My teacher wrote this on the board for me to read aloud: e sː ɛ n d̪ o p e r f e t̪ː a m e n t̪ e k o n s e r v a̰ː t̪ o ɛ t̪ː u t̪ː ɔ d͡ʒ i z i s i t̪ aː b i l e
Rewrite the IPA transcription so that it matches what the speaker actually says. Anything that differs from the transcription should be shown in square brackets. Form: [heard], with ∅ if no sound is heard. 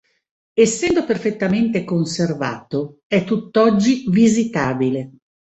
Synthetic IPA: e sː ɛ n d̪ o p e r f e t̪ː a m e n t̪ e k o n s e r v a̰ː t̪ o ɛ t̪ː u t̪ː ɔ [d͡ʒː] i [v] i [z] i t̪ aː b i l e